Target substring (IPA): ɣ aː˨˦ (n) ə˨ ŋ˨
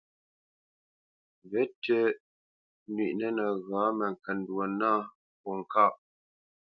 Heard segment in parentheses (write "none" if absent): m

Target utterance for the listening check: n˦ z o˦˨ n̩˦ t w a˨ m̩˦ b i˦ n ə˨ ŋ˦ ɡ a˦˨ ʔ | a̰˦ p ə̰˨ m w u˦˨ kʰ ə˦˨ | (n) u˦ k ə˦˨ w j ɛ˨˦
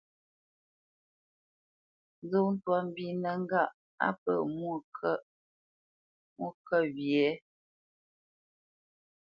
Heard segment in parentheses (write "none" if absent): m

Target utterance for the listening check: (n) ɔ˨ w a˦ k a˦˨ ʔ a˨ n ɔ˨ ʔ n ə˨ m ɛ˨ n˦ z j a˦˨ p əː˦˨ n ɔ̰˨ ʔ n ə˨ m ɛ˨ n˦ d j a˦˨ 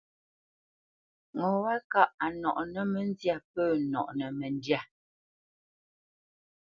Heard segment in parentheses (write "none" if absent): ŋ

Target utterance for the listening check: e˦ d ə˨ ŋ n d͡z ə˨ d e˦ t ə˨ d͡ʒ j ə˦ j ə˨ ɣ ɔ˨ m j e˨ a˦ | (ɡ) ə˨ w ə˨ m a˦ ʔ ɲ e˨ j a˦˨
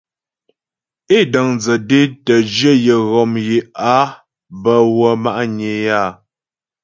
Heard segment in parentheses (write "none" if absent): b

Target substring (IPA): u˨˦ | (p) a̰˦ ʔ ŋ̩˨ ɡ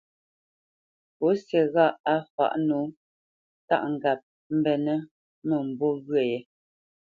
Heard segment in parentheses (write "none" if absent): t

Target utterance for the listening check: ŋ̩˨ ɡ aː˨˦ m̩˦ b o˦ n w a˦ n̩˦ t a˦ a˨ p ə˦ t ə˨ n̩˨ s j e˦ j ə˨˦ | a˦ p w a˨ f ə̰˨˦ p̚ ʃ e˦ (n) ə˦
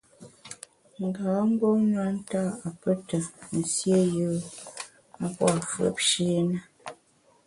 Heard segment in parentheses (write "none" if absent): n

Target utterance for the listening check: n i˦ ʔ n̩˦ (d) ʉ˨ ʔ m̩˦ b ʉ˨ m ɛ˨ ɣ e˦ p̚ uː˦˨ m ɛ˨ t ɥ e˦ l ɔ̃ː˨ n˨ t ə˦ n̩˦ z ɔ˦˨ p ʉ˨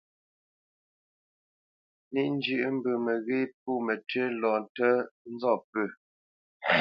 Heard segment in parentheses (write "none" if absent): d͡ʒ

